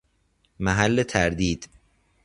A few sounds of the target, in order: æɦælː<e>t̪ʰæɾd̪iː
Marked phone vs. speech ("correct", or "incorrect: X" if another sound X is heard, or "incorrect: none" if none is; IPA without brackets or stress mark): correct